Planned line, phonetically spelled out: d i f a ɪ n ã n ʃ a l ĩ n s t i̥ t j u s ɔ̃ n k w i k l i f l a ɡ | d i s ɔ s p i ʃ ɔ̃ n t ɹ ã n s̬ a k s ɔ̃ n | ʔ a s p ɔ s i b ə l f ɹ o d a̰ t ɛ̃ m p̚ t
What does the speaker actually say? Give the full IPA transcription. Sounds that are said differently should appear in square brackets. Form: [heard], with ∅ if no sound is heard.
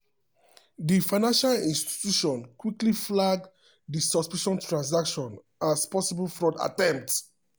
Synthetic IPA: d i f a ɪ n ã n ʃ a l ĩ n s t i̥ t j u [ʃ] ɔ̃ n k w i k l i f l a ɡ | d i s ɔ s p i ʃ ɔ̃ n t ɹ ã n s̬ a k [ʃ] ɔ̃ n | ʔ a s p ɔ s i b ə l f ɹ [ɔ] d a̰ t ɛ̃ m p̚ t